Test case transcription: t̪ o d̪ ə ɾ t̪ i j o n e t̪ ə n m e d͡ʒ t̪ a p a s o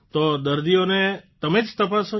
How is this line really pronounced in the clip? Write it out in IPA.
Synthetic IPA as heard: t̪ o d̪ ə ɾ d̪ i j o n e t̪ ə m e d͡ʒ t̪ ə p a s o